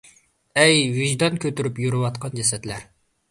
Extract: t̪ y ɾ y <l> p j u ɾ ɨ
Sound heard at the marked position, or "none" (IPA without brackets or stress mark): none